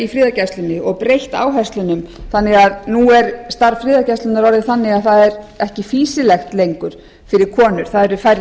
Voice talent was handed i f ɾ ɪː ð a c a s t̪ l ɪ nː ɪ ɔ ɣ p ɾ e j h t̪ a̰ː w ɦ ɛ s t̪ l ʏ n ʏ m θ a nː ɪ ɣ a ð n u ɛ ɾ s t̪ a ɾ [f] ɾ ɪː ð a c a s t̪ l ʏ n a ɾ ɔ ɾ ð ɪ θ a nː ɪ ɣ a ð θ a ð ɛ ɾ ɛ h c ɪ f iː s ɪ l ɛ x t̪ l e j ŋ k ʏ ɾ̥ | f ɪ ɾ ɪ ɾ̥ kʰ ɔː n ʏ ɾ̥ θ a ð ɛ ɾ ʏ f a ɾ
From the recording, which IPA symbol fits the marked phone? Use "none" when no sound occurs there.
f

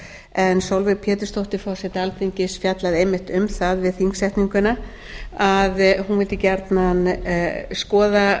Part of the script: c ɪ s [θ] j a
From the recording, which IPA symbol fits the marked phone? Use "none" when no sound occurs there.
f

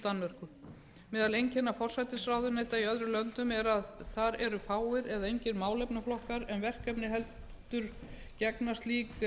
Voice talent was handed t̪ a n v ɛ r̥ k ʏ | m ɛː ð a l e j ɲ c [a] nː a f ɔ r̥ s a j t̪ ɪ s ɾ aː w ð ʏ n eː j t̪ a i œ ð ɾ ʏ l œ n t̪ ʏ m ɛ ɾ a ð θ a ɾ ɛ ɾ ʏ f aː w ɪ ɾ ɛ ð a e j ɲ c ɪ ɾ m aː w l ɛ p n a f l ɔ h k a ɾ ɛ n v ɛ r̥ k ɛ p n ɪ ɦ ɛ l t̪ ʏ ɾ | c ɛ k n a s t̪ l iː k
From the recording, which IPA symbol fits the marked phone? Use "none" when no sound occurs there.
ɛ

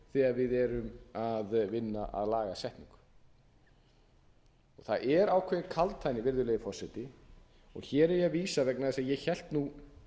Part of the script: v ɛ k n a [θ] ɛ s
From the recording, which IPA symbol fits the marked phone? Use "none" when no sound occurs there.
ð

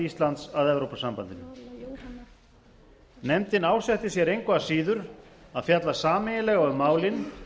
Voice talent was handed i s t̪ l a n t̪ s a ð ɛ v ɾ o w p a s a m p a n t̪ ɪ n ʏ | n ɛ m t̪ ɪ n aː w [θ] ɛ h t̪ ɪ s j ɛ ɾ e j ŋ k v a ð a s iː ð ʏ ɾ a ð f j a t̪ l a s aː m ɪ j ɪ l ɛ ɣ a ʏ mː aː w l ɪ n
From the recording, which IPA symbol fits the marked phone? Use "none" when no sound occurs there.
s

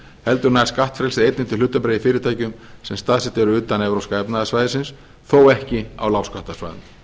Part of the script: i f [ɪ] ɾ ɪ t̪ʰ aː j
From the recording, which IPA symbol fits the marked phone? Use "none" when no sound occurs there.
ɪː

